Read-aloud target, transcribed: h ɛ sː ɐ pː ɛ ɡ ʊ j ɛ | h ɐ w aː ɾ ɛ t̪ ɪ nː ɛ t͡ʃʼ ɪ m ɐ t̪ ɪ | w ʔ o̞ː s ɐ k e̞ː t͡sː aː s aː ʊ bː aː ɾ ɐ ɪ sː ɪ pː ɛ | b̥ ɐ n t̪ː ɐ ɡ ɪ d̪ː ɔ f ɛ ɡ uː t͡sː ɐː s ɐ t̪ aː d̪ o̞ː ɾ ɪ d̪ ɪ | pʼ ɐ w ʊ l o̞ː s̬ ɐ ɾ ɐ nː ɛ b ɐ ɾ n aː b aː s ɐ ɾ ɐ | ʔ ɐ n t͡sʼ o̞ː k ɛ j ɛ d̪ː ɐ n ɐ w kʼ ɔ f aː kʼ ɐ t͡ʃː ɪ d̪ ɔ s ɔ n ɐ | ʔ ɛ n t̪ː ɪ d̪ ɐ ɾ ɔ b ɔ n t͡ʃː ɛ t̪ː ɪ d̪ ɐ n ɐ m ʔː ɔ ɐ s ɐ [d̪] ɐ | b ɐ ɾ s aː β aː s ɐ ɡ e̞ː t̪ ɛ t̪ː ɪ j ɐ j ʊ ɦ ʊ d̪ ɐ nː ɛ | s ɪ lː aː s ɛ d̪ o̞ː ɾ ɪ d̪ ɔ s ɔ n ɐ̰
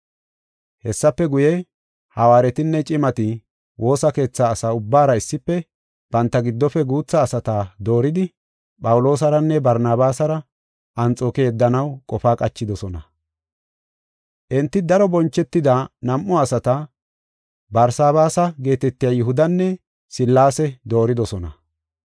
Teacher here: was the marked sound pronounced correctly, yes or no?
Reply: no